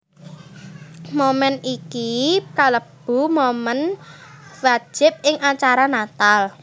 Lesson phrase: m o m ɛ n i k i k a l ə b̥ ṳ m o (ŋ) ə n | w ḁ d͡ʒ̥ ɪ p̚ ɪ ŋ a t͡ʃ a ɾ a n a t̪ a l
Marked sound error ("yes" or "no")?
yes